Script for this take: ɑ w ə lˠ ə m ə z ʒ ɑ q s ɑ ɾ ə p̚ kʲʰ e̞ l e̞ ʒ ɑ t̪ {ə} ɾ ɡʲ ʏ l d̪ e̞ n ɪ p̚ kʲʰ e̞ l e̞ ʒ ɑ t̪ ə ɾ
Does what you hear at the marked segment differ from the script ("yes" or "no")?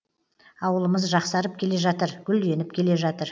no